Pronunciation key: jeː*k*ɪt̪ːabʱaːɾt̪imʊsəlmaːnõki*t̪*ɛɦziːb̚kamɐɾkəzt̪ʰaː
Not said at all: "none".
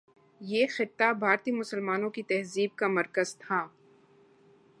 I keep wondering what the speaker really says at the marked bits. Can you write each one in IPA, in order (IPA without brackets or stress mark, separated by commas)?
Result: x, t̪